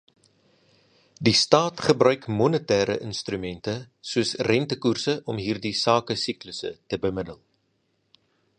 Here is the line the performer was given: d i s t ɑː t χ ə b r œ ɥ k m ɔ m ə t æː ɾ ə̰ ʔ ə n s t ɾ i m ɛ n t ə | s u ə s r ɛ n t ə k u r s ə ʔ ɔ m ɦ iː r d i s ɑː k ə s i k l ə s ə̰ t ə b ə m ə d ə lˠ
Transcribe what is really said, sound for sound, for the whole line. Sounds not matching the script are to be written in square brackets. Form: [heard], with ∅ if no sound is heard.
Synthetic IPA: d i s t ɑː t χ ə b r œ ɥ k m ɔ [n] ə t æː ɾ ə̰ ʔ ə n s t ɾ [y] m ɛ n t ə | s u ə s r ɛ n t ə k u r s ə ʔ ɔ m ɦ iː r d i s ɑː k ə s i k l ə s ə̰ t ə b ə m ə d ə lˠ